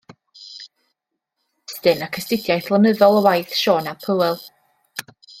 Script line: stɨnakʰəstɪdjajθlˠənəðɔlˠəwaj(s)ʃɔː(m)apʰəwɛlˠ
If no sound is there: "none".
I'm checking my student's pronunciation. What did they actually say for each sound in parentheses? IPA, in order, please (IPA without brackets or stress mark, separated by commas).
θ, n